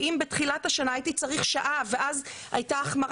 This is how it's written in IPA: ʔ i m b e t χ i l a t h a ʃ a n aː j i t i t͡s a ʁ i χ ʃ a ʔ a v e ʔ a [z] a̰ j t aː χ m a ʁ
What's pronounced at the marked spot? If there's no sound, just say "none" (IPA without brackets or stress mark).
z